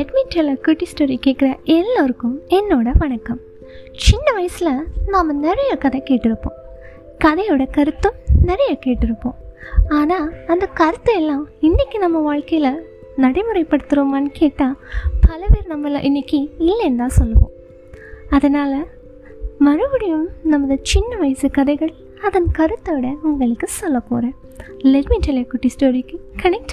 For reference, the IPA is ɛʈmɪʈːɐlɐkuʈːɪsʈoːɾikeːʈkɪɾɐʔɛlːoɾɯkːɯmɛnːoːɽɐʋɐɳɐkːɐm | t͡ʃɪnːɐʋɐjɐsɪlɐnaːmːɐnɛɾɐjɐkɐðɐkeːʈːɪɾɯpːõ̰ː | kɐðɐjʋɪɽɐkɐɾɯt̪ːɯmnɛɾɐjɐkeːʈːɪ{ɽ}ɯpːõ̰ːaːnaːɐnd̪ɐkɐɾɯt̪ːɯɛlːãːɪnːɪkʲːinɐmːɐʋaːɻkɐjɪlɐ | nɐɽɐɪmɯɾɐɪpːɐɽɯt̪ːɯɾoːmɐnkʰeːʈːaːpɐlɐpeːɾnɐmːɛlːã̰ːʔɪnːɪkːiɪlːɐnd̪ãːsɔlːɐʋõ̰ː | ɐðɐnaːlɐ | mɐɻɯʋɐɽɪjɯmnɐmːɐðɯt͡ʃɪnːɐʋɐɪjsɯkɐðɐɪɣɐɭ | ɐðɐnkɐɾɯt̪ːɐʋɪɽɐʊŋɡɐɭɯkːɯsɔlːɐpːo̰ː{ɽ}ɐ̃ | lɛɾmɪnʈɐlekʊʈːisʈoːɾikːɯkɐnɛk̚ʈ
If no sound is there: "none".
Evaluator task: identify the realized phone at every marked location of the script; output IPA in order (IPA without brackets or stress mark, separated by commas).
ɾ, ɾ